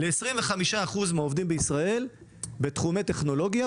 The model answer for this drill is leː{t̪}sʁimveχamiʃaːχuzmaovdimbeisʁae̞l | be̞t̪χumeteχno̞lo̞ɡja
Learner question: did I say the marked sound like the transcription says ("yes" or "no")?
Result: no